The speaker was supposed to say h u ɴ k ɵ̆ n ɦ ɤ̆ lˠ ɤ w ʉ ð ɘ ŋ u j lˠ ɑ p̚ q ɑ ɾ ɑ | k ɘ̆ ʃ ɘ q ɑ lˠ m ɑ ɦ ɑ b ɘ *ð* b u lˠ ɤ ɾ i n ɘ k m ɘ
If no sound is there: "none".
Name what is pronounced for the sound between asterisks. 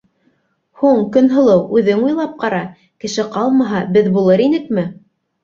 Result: ð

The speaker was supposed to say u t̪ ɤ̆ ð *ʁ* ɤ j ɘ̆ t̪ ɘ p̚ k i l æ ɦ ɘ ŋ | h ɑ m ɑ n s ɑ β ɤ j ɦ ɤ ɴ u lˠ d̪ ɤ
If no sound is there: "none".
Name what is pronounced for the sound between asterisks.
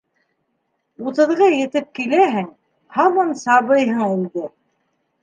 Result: ʁ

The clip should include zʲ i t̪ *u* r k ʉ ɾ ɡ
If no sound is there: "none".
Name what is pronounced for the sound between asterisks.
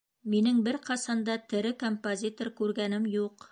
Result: o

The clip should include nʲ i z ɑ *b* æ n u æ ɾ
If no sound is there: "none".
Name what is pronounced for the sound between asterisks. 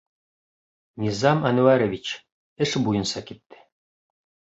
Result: m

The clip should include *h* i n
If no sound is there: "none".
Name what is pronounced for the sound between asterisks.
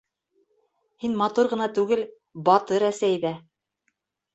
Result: h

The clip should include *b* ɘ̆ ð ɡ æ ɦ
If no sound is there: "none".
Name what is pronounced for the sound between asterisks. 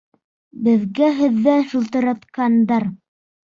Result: b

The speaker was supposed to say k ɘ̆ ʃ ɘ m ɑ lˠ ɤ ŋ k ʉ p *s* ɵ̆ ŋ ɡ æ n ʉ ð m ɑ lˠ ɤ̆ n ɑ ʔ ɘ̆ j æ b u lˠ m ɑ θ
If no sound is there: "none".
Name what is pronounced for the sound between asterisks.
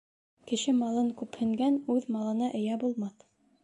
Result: h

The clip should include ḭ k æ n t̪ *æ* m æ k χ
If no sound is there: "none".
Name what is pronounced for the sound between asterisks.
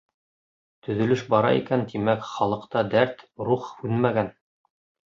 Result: i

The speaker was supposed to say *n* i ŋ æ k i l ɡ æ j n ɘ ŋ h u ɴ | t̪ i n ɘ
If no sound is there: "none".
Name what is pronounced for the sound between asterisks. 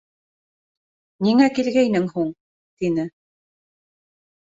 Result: n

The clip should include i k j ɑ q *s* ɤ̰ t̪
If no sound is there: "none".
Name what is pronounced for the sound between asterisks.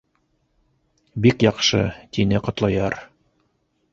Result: ʃ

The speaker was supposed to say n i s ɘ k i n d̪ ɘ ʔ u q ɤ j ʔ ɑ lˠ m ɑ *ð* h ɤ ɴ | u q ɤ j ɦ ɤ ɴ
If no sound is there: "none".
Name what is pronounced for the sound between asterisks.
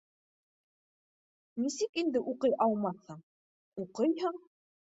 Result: θ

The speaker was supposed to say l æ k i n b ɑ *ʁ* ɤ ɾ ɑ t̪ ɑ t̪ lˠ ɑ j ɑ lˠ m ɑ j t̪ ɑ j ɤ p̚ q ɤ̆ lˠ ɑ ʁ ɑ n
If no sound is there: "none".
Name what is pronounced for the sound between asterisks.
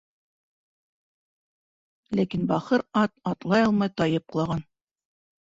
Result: χ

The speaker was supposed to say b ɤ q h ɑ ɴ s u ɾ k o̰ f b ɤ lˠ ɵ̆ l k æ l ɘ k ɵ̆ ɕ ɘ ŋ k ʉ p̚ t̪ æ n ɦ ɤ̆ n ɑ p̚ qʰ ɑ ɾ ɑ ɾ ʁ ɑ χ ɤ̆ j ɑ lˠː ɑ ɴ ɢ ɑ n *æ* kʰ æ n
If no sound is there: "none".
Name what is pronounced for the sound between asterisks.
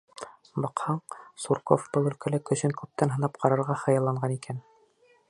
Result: i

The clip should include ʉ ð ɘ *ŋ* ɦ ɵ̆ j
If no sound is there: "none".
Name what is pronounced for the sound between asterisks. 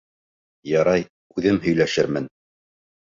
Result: m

